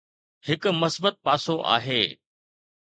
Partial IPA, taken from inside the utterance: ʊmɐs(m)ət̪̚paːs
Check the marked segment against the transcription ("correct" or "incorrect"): incorrect